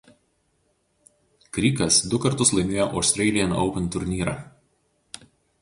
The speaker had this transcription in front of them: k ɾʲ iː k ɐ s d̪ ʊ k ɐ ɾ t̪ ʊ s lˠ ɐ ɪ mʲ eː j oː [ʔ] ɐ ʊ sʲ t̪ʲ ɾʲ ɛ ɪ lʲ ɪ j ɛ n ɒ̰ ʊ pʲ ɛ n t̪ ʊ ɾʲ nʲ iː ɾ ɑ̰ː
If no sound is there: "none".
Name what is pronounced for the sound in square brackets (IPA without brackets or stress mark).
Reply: ʔ